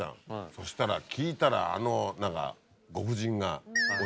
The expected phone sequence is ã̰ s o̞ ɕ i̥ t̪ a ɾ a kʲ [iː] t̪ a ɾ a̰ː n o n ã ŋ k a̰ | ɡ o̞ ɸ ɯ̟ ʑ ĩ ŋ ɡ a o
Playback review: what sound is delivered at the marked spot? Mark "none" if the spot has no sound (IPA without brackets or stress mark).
iː